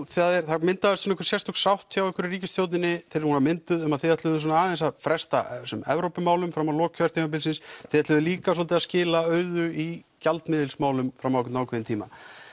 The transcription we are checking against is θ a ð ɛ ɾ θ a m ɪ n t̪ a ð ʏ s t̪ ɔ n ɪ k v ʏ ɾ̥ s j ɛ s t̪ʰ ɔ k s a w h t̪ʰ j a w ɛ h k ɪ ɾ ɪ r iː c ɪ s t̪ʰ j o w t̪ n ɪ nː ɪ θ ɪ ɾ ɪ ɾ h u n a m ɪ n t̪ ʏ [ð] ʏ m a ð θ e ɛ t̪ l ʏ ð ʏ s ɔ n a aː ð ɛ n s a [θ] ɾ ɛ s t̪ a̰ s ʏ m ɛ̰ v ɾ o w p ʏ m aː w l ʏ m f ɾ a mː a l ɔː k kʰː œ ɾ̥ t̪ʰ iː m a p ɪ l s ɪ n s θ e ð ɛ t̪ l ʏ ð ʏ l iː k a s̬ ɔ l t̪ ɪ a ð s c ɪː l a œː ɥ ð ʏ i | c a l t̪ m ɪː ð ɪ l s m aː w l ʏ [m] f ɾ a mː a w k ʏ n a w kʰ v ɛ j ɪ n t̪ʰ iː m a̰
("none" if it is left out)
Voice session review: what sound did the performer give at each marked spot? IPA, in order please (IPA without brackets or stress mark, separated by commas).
ð, f, m